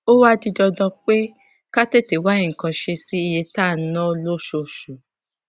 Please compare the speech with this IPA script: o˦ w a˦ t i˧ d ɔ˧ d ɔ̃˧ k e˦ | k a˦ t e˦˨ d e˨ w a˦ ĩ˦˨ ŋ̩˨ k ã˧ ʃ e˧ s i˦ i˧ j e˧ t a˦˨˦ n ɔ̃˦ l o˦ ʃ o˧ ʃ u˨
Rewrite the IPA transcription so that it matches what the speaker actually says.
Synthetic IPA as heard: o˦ w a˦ d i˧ d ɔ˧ d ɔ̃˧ k͡p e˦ | k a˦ t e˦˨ t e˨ w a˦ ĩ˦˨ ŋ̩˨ k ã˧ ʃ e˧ s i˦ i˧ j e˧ t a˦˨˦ n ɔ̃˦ l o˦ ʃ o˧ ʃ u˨